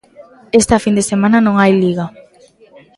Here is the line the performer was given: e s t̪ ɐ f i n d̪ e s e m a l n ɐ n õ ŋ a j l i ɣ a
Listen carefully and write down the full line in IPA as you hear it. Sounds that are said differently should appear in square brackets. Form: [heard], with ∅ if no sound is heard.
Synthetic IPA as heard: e s t̪ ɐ f i n d̪ e s e m a [∅] n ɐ n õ ŋ a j l i ɣ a